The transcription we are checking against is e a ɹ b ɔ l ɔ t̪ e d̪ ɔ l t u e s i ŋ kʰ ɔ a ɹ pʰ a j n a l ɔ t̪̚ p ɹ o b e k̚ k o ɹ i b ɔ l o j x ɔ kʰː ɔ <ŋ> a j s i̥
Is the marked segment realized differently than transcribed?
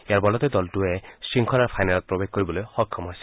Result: yes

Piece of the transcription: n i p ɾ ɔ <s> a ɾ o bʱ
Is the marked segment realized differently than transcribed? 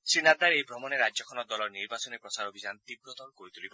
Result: no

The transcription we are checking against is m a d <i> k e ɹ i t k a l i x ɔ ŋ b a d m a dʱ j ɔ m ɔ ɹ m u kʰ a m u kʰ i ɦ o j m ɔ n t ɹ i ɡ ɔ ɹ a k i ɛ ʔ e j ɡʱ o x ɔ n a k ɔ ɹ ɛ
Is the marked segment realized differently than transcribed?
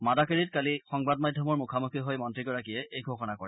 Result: yes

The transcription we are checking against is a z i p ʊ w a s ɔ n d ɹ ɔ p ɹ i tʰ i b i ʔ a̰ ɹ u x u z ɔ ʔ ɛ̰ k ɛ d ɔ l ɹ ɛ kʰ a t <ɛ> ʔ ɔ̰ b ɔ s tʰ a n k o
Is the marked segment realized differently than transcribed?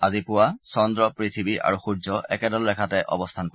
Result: no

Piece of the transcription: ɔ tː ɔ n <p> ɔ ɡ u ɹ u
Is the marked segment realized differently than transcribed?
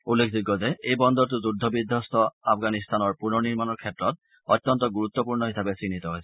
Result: yes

